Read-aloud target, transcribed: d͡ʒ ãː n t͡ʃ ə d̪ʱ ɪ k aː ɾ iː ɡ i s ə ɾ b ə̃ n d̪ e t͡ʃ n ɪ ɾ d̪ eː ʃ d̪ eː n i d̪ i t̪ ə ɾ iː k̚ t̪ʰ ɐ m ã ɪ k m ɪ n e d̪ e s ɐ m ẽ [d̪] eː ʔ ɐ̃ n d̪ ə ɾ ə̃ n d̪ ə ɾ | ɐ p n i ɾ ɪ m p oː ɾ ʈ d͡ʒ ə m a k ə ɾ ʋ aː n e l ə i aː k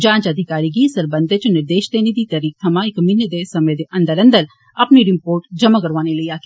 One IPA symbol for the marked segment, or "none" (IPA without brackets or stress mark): d̪